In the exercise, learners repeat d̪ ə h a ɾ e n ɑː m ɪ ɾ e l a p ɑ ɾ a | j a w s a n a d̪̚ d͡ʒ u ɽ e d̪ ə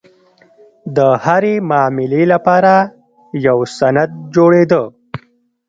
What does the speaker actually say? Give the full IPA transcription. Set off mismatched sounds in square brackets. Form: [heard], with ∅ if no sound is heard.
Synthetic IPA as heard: d̪ ə h a ɾ e [m] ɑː m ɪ [l] e l a p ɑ ɾ a | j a w s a n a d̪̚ d͡ʒ [o] ɽ e d̪ ə